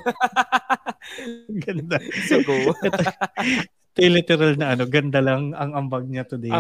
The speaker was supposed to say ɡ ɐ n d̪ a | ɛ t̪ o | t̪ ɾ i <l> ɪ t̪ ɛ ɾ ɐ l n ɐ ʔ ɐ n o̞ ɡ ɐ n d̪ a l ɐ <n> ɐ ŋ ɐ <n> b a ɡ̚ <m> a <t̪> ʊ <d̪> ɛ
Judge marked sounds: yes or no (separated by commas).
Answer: yes, no, no, no, yes, yes